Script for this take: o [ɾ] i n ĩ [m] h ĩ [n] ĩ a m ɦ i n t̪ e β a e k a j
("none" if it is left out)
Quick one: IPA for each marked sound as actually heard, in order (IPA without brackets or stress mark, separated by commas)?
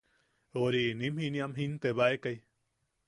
ɾ, m, n